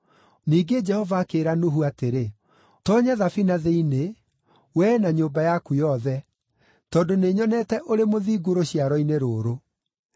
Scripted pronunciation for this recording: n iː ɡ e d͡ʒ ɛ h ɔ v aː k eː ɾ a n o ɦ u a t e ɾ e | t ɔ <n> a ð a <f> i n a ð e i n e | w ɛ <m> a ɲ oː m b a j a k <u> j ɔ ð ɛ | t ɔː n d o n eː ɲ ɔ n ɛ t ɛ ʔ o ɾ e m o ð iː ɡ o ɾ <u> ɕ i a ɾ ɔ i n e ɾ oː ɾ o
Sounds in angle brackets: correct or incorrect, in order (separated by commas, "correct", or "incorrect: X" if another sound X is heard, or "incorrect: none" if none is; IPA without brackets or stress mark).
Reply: incorrect: ɲ, correct, incorrect: n, correct, incorrect: o